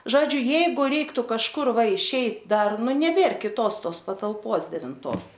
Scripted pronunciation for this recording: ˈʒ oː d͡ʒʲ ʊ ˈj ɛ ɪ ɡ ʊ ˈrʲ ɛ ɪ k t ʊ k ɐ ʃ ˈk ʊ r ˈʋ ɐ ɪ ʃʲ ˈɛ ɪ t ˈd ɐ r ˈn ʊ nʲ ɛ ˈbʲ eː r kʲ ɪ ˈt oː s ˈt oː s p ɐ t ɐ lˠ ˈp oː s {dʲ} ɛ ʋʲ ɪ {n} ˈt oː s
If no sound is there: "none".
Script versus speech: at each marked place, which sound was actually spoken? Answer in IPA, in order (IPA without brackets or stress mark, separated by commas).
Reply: dʲ, n